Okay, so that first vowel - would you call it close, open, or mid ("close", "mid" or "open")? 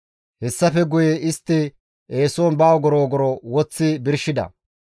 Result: mid